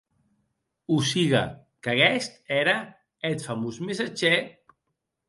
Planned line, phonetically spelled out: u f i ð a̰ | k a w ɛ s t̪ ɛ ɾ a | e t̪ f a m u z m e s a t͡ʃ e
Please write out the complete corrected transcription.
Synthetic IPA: u s i ɣ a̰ | k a ɣ ɛ s t̪ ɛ ɾ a | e t̪ f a m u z m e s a t͡ʃ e